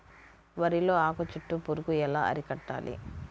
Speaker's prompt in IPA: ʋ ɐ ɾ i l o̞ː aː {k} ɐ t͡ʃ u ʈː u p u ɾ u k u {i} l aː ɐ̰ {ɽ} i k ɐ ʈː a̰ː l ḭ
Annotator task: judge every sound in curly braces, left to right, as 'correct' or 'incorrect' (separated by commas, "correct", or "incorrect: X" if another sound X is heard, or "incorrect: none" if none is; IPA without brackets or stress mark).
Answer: correct, incorrect: ɛ, incorrect: ɾ